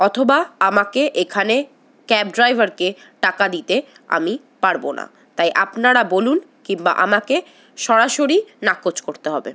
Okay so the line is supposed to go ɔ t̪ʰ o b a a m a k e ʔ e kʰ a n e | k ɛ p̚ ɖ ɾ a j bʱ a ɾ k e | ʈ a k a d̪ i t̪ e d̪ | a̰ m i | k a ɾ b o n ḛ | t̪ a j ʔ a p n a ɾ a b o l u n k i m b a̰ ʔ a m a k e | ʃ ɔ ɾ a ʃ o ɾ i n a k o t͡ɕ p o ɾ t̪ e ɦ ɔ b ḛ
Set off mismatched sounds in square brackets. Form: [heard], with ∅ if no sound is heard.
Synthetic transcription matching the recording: ɔ t̪ʰ o b a a m a k e ʔ e kʰ a n e | k ɛ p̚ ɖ ɾ a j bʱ a ɾ k e | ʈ a k a d̪ i t̪ e [∅] | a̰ m i | [p] a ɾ b o n [a̰] | t̪ a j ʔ a p n a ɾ a b o l u n k i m b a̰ ʔ a m a k e | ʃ ɔ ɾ a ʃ o ɾ i n a k o t͡ɕ [k] o ɾ t̪ e ɦ ɔ b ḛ

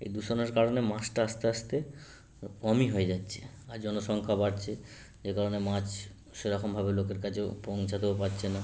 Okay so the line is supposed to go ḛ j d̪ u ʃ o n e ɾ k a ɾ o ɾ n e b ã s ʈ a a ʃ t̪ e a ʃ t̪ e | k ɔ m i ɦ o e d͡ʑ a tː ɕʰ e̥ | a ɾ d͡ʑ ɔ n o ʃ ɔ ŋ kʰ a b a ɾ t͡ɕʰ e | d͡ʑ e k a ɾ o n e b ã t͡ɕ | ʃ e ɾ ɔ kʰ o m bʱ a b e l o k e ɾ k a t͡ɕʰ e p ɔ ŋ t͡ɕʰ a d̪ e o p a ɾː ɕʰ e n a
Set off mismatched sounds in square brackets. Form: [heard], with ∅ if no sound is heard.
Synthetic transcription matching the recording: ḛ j d̪ u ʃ o n e ɾ k a ɾ o [∅] n e [m] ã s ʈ a a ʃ t̪ e a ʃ t̪ e | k ɔ m i ɦ o e d͡ʑ a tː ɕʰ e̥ | a ɾ d͡ʑ ɔ n o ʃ ɔ ŋ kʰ a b a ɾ t͡ɕʰ e | d͡ʑ e k a ɾ o n e [m] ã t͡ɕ | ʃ e ɾ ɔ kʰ o m bʱ a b e l o k e ɾ k a t͡ɕʰ e p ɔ ŋ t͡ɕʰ a d̪ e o p a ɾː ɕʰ e n a

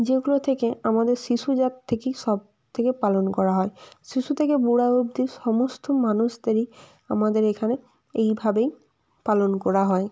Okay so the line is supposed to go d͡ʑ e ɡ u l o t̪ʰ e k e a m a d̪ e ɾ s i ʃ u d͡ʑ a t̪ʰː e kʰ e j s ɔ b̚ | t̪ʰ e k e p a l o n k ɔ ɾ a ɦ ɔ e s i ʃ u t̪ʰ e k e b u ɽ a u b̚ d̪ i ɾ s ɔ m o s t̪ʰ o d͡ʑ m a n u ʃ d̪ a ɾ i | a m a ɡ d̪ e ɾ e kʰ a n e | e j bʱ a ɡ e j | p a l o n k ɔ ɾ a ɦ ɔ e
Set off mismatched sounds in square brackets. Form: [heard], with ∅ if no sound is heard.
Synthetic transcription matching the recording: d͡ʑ e ɡ u l o t̪ʰ e k e a m a d̪ e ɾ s i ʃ u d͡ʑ a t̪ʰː e [k] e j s ɔ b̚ | t̪ʰ e k e p a l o n k ɔ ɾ a ɦ ɔ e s i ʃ u t̪ʰ e k e b u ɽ a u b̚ d̪ i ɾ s ɔ m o s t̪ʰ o [∅] m a n u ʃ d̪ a ɾ i | a m a [∅] d̪ e ɾ e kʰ a n e | e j bʱ a [b] e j | p a l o n k ɔ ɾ a ɦ ɔ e

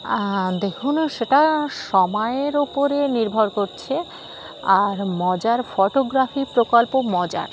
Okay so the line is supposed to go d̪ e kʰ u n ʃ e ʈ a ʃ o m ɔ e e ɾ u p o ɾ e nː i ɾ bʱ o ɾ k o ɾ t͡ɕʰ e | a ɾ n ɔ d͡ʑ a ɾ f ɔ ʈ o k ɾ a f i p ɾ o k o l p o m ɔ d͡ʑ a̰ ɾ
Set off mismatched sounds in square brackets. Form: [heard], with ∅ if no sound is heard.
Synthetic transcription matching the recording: d̪ e kʰ u n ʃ e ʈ a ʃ [ɔ] m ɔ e e ɾ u p o ɾ e [n] i ɾ bʱ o ɾ k o ɾ t͡ɕʰ e | a ɾ [m] ɔ d͡ʑ a ɾ f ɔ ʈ o [ɡ] ɾ a f i p ɾ o k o l p o m ɔ d͡ʑ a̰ ɾ

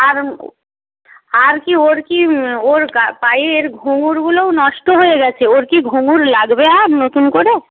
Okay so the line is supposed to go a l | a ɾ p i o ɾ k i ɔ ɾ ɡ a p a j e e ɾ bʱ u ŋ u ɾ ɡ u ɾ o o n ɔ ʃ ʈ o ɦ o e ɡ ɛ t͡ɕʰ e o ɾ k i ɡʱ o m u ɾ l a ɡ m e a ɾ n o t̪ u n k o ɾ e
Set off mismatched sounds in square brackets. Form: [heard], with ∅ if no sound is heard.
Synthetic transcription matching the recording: a [ɾ] | a ɾ [k] i o ɾ k i [o] ɾ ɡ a p a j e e ɾ [ɡʱ] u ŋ u ɾ ɡ u [l] o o n ɔ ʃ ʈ o ɦ o e ɡ ɛ t͡ɕʰ e o ɾ k i ɡʱ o [ŋ] u ɾ l a ɡ [b] e a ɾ n o t̪ u n k o ɾ e

